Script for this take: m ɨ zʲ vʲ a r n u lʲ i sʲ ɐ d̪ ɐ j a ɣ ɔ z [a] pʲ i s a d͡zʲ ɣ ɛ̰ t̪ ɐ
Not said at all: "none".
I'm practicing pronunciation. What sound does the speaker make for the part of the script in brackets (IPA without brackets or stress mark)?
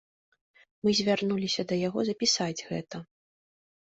ɐ